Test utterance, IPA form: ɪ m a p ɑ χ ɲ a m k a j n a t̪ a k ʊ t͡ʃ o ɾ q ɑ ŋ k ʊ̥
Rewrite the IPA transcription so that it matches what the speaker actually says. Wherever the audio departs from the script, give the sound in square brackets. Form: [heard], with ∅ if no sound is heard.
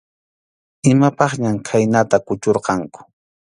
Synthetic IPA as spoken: ɪ m a p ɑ χ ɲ a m [kʰ] a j n a t̪ a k ʊ t͡ʃ o ɾ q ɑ ŋ k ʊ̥